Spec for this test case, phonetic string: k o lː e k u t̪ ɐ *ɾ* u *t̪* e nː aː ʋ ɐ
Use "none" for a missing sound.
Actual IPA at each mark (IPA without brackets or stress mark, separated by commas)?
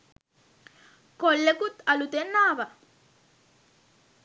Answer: l, t̪